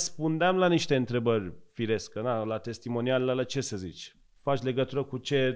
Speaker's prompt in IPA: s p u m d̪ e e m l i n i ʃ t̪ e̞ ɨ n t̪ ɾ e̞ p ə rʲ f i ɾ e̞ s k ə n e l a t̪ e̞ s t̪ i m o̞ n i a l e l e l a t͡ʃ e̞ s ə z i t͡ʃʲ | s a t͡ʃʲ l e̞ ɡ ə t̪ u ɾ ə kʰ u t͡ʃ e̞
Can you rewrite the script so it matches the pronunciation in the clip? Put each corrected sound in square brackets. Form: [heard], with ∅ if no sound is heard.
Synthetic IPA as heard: s p u [n] d̪ e [a] m l [a] n i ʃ t̪ e̞ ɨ n t̪ ɾ e̞ [b] ə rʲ f i ɾ e̞ s k ə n [a] l a t̪ e̞ s t̪ i m o̞ n i a l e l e l a t͡ʃ e̞ s ə z i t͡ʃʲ | [f] a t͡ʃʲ l e̞ ɡ ə t̪ u ɾ ə [k] u t͡ʃ e̞